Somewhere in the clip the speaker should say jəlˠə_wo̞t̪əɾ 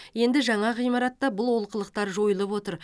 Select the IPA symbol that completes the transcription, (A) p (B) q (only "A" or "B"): A